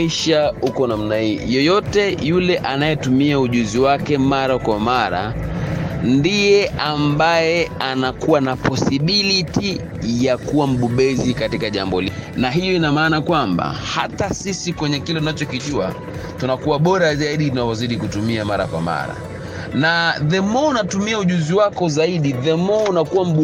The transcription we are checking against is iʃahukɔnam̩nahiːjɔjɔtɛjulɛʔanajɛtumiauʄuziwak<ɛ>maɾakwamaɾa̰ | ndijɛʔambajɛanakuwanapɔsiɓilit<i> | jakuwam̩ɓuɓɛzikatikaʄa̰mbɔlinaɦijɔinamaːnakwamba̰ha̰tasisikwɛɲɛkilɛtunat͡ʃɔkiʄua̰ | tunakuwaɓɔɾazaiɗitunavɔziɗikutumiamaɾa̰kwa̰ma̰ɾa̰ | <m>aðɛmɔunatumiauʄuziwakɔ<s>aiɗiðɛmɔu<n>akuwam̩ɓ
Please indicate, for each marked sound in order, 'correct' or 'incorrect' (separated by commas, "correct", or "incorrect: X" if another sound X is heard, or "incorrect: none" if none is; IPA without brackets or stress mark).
correct, correct, incorrect: n, incorrect: z, correct